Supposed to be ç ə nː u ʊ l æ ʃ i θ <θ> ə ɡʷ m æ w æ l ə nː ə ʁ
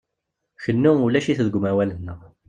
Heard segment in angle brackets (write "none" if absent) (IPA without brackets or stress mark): ð